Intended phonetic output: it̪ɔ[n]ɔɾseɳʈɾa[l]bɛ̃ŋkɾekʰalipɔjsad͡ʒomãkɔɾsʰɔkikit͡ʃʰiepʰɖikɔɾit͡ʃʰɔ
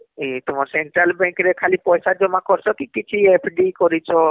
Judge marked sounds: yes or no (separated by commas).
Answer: no, yes